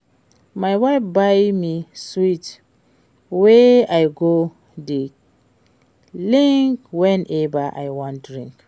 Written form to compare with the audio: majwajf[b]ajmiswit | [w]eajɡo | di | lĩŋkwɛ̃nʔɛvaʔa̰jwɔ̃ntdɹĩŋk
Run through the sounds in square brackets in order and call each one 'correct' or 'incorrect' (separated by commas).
correct, correct